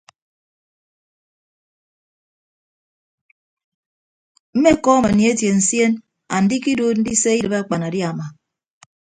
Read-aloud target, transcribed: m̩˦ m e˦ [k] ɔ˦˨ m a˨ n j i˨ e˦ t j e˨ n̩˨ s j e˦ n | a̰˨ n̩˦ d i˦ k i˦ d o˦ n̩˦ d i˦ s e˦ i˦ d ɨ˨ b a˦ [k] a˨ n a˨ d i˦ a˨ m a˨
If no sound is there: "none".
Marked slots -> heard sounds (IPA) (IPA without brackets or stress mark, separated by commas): k, k͡p